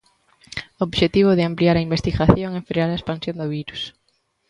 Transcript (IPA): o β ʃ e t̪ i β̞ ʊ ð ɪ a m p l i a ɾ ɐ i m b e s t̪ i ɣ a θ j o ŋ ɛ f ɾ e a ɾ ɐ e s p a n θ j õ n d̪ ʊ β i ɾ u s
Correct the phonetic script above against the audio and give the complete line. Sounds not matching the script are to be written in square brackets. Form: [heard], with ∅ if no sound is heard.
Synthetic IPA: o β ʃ e t̪ i β̞ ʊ ð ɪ a m p l i a ɾ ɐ i m b e s t̪ i ɣ a θ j o ŋ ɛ f ɾ e a ɾ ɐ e s p a n [s] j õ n d̪ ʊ β i ɾ u s